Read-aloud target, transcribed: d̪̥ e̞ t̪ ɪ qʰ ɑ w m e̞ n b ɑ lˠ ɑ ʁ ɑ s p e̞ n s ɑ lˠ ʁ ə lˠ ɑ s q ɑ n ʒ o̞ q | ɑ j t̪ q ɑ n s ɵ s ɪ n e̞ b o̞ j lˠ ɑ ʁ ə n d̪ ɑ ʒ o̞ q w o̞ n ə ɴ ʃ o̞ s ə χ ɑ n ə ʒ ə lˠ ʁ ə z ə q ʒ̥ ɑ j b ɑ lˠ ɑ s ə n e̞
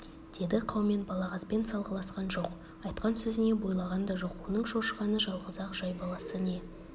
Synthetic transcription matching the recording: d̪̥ e̞ d̪ ɪ qʰ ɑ w m e̞ n b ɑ lˠ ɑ ʁ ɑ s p e̞ n s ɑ lˠ ʁ ə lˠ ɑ s q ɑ n ʒ o̞ q | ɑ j t̪ q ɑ n s ɵ z ɪ n e̞ b o̞ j lˠ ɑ ʁ ɑ n d̪ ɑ ʒ o̞ q w o̞ n ə ɴ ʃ o̞ ʃ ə ʁ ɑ n ə ʒ ɑ lˠ ʁ ə z ɑ q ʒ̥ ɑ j b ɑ lˠ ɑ s ə n e̞